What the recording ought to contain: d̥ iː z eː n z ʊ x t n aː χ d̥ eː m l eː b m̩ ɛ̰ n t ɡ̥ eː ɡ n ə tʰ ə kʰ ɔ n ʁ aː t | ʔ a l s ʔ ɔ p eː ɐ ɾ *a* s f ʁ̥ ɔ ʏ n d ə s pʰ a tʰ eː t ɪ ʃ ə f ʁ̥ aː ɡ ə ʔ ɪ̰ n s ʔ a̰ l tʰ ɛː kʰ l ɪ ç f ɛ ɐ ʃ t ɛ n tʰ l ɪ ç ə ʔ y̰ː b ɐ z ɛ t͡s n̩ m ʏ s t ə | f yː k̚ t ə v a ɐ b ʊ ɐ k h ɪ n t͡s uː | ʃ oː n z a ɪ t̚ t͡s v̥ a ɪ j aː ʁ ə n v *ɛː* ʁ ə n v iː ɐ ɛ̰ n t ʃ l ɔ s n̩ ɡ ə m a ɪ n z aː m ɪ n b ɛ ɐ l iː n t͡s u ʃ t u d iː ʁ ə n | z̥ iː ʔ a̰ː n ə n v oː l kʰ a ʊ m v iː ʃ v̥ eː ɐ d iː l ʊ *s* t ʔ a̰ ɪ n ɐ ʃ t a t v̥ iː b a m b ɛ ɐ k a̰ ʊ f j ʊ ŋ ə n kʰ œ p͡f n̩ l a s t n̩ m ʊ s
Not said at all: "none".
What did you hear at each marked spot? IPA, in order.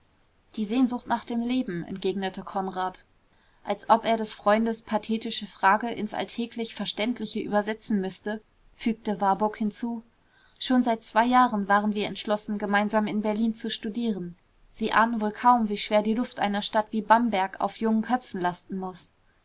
ɛ, aː, f

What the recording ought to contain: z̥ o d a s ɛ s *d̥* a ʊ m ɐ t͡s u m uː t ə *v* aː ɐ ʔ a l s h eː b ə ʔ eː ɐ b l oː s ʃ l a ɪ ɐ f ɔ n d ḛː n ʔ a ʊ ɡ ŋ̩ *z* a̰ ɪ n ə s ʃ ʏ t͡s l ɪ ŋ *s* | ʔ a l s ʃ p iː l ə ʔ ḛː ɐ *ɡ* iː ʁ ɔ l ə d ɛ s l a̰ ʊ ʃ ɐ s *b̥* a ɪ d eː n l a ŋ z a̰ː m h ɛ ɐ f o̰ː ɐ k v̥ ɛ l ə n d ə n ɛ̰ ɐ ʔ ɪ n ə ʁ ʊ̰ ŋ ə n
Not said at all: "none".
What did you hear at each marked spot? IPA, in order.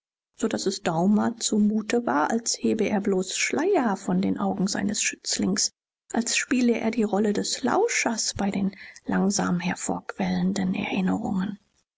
d̥, v, z, s, d, b̥

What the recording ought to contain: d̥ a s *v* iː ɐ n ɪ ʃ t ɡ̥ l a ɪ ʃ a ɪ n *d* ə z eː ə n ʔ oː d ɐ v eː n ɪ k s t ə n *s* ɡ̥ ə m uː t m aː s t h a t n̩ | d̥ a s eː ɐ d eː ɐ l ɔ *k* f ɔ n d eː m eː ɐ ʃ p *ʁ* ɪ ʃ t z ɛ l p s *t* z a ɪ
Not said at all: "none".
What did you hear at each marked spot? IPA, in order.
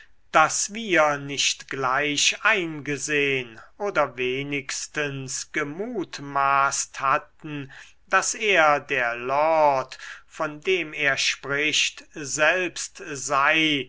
v, ɡ, s, t, ʁ, t

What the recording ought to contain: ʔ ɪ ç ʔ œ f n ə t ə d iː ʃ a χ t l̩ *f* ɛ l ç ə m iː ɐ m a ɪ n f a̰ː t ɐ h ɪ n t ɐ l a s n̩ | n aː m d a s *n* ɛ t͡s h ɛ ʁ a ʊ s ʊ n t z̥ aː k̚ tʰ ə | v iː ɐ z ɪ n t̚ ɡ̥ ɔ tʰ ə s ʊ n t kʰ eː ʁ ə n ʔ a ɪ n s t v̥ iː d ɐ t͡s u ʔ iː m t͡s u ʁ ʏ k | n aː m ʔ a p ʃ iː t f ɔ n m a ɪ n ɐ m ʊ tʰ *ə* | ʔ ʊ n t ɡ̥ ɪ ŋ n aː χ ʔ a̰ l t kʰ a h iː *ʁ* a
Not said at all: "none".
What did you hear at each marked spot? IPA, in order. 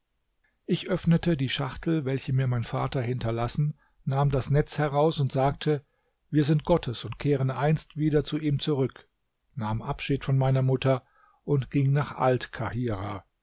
v, n, ɐ, ʁ

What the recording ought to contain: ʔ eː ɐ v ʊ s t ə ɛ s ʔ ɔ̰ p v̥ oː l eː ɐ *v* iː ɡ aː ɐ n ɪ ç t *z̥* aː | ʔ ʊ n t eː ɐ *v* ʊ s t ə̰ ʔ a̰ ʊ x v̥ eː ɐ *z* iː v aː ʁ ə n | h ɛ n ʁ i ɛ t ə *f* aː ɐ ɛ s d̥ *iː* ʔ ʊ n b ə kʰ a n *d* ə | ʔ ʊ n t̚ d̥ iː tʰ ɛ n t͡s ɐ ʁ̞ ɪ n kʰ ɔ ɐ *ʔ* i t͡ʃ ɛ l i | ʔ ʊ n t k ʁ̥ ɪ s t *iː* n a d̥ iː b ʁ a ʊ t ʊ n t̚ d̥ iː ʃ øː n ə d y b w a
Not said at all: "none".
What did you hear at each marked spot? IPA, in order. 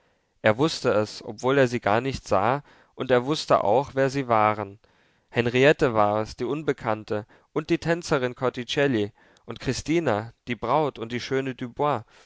z, z̥, v, z, v, iː, t, t, iː

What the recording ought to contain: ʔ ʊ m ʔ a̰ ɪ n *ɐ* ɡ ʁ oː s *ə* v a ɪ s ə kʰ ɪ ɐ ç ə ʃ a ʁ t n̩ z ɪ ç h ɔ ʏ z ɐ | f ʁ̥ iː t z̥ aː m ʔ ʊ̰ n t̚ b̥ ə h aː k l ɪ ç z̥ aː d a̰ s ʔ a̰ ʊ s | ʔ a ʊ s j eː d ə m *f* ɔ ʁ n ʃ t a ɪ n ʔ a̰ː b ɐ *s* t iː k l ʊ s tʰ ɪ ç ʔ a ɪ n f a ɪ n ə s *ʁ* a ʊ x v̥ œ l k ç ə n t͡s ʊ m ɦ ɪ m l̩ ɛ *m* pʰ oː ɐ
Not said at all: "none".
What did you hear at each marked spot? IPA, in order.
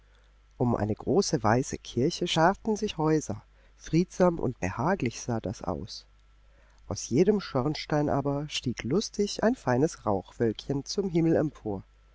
ə, ə, ʃ, ʃ, ʁ, m

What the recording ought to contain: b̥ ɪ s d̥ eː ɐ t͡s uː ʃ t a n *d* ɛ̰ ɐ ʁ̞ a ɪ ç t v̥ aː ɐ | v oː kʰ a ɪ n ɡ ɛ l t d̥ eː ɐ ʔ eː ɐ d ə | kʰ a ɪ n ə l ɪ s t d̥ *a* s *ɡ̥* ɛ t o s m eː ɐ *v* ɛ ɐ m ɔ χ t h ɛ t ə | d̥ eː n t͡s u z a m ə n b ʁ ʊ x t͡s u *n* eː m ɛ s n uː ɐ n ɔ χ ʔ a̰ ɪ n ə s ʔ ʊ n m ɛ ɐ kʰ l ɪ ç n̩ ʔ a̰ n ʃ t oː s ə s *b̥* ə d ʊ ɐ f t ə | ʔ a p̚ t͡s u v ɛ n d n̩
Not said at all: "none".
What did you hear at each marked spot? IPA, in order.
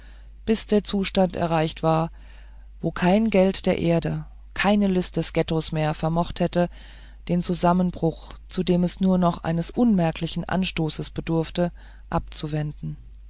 t, ɛ, ɡ̥, f, d, b̥

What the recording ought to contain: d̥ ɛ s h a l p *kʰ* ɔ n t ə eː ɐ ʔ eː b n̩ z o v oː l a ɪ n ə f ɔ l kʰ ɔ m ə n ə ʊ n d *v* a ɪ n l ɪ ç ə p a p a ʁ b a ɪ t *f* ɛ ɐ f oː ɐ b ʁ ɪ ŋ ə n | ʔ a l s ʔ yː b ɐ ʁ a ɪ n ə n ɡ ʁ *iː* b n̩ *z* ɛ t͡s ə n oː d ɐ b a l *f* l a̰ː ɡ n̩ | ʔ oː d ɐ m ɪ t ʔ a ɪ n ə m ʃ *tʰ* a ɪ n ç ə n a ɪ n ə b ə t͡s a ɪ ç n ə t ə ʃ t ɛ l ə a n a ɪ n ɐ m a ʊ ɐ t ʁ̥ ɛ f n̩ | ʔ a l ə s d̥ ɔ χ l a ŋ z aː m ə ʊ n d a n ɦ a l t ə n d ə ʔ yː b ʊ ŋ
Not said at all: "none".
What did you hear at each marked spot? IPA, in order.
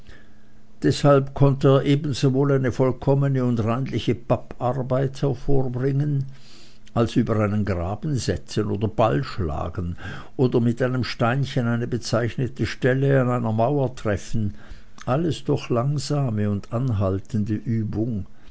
kʰ, ʁ, h, aː, z, ʃ, t

